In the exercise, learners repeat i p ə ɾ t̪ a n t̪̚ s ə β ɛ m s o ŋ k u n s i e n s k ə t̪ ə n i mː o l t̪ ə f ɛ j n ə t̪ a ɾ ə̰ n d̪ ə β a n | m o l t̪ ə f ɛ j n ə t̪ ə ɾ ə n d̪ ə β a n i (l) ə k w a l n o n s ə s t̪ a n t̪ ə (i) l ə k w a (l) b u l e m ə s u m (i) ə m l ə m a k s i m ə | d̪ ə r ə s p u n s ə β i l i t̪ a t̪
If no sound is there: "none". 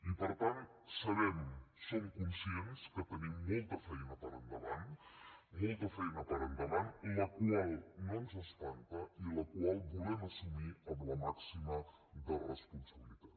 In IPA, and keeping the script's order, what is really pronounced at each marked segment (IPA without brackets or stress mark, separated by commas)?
l, i, l, i